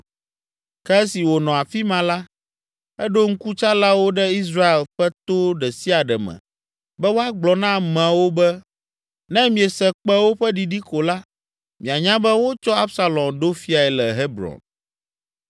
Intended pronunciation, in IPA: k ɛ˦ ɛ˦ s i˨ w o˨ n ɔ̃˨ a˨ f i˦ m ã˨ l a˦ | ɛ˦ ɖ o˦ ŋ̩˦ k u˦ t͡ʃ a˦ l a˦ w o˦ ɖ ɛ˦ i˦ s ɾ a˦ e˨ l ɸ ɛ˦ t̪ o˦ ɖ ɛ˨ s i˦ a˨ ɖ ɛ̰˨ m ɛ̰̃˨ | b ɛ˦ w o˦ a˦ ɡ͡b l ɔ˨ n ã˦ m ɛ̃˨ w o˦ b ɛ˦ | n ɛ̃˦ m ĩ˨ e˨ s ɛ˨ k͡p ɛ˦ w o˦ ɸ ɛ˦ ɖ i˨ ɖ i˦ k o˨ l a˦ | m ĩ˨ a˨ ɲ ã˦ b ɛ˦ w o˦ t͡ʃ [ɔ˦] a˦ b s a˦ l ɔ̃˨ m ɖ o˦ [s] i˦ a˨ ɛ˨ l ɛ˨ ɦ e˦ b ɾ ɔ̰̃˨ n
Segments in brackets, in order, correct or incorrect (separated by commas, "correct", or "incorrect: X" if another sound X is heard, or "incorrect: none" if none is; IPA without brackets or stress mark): correct, incorrect: f